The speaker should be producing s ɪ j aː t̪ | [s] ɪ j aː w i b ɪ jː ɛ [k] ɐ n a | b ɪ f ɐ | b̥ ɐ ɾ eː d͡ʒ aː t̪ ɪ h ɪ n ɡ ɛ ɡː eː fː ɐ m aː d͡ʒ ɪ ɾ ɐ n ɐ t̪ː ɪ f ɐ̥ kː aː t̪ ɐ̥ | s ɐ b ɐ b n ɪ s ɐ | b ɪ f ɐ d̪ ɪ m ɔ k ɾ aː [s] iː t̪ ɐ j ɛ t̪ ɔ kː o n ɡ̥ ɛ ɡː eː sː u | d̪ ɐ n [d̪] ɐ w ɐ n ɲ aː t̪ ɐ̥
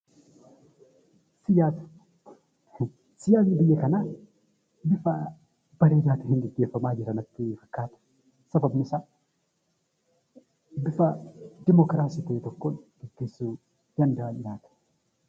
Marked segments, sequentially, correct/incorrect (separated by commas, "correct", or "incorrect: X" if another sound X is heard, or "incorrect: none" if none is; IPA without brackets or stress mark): correct, correct, correct, correct